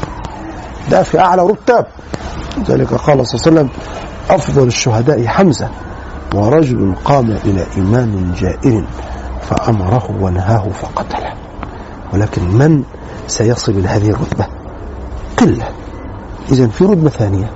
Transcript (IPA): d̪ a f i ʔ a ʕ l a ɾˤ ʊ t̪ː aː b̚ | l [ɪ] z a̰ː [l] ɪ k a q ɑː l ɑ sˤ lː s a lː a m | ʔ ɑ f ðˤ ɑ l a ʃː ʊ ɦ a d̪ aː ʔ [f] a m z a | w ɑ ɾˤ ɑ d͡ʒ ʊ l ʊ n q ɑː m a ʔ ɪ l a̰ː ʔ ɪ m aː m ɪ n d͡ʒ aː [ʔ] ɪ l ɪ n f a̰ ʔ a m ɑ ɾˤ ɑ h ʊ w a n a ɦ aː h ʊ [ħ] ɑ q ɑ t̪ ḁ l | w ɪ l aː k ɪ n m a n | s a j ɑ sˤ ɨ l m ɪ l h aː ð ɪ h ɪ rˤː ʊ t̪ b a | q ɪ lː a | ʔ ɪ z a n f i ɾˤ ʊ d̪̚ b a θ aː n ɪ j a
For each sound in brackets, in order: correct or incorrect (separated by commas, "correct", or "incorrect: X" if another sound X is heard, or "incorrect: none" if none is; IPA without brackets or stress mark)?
correct, correct, incorrect: ħ, correct, incorrect: f